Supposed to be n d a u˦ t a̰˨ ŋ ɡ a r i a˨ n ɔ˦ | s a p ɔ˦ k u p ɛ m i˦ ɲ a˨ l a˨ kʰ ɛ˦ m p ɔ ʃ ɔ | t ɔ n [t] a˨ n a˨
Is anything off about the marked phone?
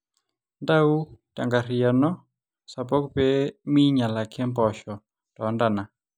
yes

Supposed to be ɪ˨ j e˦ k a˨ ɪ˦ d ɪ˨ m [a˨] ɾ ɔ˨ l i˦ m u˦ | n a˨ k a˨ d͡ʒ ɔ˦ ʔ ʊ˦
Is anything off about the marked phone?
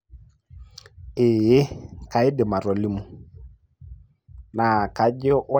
no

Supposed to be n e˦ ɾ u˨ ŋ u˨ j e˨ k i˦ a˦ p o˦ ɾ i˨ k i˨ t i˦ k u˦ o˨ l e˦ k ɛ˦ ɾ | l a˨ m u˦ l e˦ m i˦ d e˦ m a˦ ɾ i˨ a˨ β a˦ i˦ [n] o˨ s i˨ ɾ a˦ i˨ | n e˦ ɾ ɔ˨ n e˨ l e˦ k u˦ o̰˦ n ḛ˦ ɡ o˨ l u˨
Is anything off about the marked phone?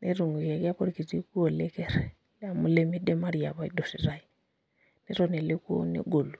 yes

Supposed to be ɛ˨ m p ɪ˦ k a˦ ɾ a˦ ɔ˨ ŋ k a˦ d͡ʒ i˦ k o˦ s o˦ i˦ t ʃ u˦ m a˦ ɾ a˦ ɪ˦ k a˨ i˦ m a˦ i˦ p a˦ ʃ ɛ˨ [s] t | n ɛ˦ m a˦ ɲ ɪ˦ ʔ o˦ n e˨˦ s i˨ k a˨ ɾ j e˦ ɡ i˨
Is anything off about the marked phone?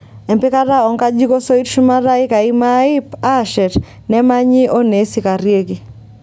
yes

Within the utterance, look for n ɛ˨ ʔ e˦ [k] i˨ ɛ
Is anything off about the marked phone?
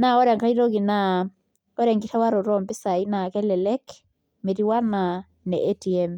yes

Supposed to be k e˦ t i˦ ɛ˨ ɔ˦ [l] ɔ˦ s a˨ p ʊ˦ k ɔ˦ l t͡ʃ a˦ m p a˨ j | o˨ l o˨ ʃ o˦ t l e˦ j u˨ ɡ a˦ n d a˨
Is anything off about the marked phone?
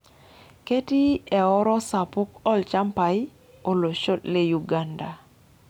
yes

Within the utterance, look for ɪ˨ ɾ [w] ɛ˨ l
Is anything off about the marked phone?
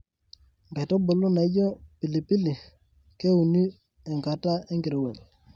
no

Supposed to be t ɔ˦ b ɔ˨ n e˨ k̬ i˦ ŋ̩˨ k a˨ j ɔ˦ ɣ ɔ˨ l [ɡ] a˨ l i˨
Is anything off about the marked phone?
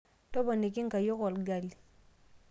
no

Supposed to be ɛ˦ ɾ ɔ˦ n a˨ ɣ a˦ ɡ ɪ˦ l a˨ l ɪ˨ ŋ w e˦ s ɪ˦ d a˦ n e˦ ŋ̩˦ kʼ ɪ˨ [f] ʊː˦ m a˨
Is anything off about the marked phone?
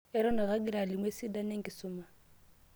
yes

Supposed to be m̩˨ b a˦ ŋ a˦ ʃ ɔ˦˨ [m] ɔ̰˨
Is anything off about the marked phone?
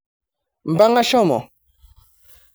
no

